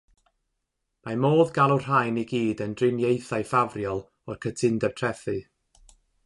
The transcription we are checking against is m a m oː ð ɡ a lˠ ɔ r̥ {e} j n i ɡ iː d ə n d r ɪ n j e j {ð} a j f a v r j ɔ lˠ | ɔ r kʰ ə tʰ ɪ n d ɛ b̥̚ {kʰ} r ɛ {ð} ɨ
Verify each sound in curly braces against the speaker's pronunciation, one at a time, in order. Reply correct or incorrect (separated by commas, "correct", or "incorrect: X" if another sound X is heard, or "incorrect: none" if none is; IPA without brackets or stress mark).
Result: incorrect: a, incorrect: θ, incorrect: tʰ, incorrect: θ